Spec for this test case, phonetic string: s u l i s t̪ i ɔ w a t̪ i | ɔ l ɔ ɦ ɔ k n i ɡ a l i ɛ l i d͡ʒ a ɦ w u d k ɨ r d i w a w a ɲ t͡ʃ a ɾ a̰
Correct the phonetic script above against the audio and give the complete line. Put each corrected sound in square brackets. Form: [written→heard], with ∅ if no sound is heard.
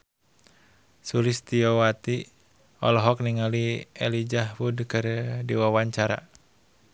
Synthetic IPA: s u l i s t̪ i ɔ w a t̪ i | ɔ l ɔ ɦ ɔ k n i [ɡ→ŋ] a l i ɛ l i d͡ʒ a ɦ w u d k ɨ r d i w a w a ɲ t͡ʃ a ɾ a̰